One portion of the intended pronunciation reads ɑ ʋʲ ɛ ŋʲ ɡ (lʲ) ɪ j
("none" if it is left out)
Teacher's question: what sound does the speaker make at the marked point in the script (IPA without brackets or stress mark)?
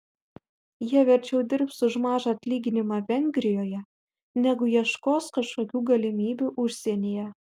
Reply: ɾʲ